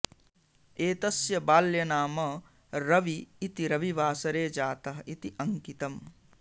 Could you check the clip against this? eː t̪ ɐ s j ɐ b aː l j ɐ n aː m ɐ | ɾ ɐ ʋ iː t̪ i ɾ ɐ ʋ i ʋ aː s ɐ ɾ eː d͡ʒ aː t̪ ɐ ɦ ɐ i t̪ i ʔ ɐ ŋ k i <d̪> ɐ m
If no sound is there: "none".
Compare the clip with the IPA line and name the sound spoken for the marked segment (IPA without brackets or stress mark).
t̪